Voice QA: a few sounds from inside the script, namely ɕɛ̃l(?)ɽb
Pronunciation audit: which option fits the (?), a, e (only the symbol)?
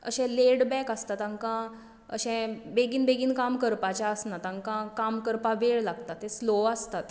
e